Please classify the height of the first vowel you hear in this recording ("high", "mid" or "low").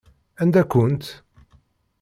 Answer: low